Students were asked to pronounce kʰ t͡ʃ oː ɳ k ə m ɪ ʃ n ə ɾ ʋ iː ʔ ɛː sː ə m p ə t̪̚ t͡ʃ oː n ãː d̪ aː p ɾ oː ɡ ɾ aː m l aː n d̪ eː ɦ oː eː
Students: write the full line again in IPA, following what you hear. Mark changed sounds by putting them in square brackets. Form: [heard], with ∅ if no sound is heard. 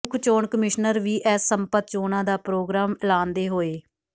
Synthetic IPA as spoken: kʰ t͡ʃ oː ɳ k ə m ɪ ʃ n ə ɾ ʋ iː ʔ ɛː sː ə m p ə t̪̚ t͡ʃ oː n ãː d̪ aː p ɾ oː ɡ ɾ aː m l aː n d̪ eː ɦ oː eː